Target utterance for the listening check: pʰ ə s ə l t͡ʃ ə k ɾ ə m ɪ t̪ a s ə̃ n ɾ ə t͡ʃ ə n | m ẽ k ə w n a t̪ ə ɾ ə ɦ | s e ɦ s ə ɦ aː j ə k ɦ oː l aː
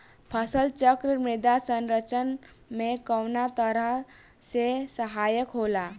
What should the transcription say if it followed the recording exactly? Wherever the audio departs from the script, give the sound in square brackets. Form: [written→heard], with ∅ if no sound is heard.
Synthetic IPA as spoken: pʰ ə s ə l t͡ʃ ə k ɾ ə m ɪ [t̪→d̪] a s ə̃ n ɾ ə t͡ʃ ə n | m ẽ k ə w n a t̪ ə ɾ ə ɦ | s e [ɦ→∅] s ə ɦ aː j ə k ɦ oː l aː